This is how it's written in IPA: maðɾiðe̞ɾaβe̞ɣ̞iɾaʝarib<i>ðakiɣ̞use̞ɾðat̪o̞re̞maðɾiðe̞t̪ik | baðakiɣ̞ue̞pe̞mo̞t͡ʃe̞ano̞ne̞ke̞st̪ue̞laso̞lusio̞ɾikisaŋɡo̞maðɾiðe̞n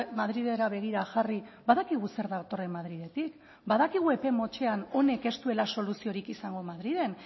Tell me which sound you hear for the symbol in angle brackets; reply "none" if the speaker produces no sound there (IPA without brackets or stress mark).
a